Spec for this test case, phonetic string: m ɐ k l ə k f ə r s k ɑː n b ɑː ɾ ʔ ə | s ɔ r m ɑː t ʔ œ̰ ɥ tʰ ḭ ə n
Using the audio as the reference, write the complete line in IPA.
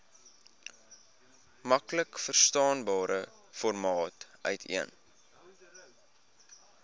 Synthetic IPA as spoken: m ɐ k l ə k f ə r s t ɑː n b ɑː ɾ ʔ ə | f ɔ r m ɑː t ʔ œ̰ ɥ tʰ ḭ ə n